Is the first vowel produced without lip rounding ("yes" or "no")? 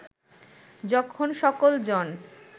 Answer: no